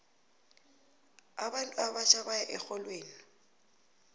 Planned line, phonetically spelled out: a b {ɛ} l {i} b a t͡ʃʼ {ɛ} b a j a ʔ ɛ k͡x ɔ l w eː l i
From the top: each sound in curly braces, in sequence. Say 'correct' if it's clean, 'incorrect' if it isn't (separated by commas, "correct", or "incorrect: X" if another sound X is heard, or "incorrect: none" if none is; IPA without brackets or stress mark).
incorrect: a, incorrect: a, incorrect: a